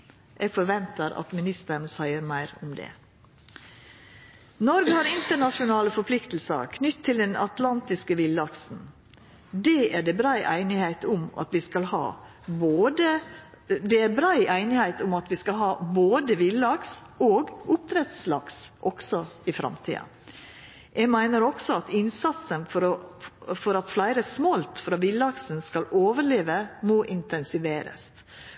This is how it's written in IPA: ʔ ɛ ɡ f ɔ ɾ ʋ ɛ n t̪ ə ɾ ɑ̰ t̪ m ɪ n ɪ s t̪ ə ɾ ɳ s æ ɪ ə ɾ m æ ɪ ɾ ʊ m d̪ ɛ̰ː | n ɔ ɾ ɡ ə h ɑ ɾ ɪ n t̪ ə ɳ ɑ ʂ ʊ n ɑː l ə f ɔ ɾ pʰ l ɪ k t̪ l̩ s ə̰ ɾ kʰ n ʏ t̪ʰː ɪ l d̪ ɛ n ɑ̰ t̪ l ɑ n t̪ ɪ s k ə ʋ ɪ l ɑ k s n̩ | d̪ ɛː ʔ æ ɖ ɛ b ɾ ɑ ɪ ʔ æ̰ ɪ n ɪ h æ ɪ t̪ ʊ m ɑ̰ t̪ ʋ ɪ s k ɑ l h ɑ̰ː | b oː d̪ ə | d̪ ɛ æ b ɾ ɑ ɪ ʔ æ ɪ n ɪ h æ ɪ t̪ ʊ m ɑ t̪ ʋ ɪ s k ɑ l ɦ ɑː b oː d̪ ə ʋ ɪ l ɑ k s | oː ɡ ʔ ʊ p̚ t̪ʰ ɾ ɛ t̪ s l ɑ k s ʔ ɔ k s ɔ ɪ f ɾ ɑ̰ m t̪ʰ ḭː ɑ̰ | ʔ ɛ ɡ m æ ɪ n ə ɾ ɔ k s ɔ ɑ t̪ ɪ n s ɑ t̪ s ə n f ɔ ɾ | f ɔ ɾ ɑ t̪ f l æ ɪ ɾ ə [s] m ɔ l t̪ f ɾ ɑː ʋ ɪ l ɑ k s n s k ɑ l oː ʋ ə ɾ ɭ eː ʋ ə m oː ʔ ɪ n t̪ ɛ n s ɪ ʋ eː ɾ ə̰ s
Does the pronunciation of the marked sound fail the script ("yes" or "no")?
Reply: no